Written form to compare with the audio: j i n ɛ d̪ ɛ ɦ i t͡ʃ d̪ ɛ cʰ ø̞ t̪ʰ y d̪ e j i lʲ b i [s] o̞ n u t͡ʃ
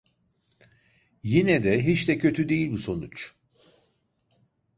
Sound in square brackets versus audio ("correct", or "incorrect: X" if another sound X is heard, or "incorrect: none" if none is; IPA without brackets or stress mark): correct